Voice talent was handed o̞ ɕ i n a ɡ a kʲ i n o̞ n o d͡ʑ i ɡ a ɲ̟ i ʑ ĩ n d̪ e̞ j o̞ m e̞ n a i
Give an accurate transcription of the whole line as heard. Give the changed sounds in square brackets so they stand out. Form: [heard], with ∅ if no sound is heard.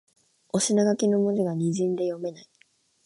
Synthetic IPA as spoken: o̞ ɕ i n a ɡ a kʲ i n o̞ [m] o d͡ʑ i ɡ a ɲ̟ i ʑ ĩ n d̪ e̞ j o̞ m e̞ n a i